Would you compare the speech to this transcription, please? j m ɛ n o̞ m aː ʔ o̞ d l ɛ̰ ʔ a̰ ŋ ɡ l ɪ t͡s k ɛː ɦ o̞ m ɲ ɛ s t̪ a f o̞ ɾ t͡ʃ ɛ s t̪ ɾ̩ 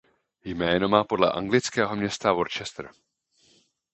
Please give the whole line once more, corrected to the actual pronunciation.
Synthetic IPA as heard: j m ɛː n o̞ m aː p o̞ d l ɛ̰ ʔ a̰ ŋ ɡ l ɪ t͡s k ɛː ɦ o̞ m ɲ ɛ s t̪ a v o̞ ɾ t͡ʃ ɛ s t̪ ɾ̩